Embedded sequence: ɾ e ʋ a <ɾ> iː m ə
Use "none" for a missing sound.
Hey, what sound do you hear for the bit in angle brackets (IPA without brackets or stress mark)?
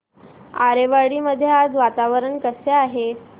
ɽ